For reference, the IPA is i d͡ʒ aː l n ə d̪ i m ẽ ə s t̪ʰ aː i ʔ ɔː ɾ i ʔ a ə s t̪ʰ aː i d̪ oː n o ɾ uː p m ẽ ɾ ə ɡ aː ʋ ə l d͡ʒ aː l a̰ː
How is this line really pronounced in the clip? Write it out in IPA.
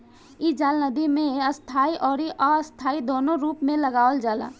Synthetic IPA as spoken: i d͡ʒ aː l n ə d̪ i m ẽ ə s t̪ʰ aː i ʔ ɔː ɾ i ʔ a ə s t̪ʰ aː i d̪ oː n o ɾ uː p m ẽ l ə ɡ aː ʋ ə l d͡ʒ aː l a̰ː